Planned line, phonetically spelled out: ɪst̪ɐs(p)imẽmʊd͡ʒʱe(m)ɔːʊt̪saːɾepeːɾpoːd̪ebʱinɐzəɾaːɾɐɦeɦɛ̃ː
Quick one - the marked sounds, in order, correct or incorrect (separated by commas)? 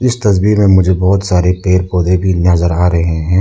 incorrect, incorrect